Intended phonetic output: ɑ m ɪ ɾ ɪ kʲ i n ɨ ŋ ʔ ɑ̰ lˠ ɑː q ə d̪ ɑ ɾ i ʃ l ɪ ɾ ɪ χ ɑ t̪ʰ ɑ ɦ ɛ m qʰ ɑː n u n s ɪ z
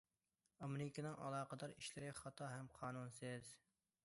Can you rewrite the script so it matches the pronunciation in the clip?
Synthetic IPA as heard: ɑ m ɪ ɾ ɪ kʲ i n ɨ ŋ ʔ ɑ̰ lˠ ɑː q ə d̪ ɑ ɾ i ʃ l ɪ ɾ ɪ χ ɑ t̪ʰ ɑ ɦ ɛ m qʰ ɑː n u n s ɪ z